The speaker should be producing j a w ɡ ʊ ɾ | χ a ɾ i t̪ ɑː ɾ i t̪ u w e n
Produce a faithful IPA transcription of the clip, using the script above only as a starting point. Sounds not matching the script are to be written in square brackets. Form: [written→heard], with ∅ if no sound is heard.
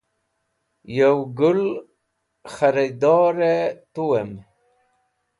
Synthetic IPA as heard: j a w ɡ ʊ [ɾ→l] | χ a ɾ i [t̪→d̪] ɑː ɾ [i→e] t̪ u w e [n→m]